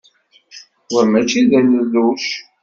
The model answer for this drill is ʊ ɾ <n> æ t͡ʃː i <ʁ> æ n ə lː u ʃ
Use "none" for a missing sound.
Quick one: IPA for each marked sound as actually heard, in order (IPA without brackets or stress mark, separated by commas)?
m, ð